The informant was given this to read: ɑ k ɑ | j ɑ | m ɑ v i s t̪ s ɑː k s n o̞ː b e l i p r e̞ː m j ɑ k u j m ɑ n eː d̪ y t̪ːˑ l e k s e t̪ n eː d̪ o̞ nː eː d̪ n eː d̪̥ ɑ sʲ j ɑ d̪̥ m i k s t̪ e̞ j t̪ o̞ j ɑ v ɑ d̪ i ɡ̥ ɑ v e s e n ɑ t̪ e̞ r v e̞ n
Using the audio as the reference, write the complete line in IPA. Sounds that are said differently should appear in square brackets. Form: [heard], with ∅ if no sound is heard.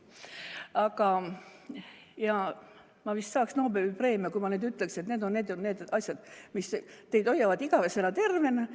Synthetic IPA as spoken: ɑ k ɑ | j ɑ | m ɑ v i s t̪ s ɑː k s n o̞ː b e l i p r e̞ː m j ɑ k u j m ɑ n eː d̪ y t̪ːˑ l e k s e t̪ n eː d̪ o̞ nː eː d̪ n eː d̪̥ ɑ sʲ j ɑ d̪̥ m i [∅] s t̪ e̞ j [d̪] o̞ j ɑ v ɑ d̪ i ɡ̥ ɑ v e s e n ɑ t̪ e̞ r v e̞ n

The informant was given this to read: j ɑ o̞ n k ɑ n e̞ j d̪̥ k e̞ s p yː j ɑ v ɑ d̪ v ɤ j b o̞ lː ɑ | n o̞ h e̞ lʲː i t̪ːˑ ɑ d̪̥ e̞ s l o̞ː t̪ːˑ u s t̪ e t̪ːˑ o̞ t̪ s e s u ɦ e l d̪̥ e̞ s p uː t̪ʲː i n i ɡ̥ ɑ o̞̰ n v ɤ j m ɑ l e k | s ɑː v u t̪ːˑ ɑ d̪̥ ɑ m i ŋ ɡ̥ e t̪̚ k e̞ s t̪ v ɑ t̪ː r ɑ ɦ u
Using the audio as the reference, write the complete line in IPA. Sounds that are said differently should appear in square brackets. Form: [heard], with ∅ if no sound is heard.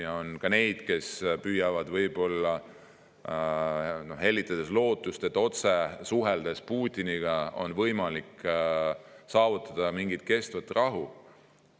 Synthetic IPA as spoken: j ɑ o̞ n k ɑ n e̞ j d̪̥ k e̞ s p yː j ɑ v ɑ d̪ v ɤ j b o̞ lː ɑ | n o̞ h e̞ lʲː i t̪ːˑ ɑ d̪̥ e̞ s l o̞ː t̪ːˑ u s t̪ e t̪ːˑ o̞ t̪ s e s u ɦ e l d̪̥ e̞ s p uː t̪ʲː i n i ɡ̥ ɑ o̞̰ n v ɤ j m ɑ l [i] k | s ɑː v u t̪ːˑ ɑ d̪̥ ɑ m i ŋ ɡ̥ [i] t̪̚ k e̞ s t̪ v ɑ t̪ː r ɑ ɦ u

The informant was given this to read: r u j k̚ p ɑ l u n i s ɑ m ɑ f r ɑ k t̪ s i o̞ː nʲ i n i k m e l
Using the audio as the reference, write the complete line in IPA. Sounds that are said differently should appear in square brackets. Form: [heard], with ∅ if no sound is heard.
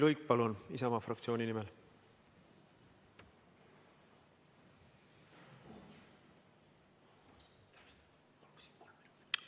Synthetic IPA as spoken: [l] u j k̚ p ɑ l u n i s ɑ m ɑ f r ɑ k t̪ s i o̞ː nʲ i n i [∅] m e l

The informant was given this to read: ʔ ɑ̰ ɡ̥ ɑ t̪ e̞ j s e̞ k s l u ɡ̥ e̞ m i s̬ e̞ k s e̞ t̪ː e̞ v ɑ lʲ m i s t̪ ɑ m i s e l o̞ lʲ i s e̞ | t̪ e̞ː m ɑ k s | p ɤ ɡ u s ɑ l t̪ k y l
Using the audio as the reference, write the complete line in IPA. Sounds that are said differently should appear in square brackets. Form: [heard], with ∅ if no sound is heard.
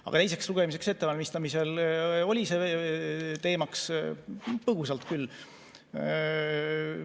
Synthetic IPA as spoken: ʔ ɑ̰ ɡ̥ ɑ t̪ e̞ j s e̞ k s l u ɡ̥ e̞ m i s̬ e̞ k s e̞ t̪ː e̞ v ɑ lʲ m i s t̪ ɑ m i s e l o̞ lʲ i s e̞ | t̪ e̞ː m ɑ k s | p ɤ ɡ u s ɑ l t̪ k y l

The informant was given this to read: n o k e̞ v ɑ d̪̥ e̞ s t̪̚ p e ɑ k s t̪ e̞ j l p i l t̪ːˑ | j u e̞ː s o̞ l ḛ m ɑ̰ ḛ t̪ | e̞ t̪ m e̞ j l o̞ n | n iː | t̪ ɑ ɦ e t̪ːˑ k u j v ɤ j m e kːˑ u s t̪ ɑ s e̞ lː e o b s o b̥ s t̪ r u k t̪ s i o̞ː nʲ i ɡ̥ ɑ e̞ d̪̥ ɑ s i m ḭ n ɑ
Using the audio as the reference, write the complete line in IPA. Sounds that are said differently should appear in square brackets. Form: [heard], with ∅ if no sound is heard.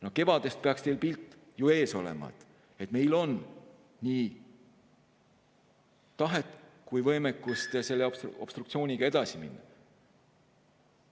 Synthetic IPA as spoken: n o k e̞ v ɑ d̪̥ e̞ s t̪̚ p e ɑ k s t̪ e̞ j l p i l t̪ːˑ | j u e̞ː s o̞ l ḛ m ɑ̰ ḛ t̪ | e̞ t̪ m e̞ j l o̞ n | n iː | t̪ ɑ ɦ e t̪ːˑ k u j v ɤ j m e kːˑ u s t̪ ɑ s e̞ lː e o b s o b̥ s t̪ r u k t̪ s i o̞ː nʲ i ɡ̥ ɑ e̞ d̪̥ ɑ s i m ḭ [nː] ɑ

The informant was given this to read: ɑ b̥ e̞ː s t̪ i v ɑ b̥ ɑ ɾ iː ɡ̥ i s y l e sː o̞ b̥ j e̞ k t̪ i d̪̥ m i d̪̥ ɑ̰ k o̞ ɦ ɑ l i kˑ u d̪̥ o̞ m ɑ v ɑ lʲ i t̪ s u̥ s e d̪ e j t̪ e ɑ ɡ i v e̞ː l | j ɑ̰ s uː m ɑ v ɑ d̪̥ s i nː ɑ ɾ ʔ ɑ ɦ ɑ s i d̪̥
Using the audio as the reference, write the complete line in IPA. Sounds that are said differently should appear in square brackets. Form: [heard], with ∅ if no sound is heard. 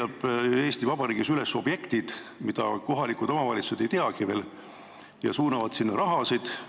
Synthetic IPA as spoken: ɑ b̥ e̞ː s t̪ i v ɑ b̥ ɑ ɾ iː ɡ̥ i s y l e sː o̞ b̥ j e̞ k t̪ i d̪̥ m i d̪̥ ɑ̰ k o̞ ɦ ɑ l i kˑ u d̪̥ o̞ m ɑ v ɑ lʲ i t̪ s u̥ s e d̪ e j t̪ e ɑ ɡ i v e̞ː l | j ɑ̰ s uː [n] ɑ v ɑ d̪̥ s i nː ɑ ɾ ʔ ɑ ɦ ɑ s i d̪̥

